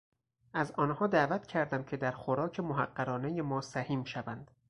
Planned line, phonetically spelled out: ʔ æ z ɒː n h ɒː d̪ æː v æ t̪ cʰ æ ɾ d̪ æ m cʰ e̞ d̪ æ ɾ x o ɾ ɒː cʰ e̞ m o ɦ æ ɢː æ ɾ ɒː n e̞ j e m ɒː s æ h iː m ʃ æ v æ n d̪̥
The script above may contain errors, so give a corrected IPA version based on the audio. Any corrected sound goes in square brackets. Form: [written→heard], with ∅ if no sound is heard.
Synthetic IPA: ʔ æ z ɒː n h ɒː d̪ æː v æ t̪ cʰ æ ɾ d̪ æ m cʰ e̞ d̪ æ ɾ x o ɾ ɒː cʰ e̞ m o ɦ æ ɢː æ ɾ ɒː n e̞ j e m ɒː s æ h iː m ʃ æ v æ n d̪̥